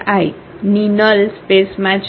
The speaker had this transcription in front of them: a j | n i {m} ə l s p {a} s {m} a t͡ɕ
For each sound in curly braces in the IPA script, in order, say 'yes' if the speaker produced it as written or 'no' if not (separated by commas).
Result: no, no, yes